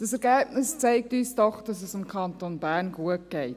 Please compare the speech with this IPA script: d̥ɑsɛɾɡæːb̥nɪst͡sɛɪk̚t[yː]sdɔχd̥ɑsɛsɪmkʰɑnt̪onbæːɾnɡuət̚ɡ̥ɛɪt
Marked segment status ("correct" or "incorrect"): correct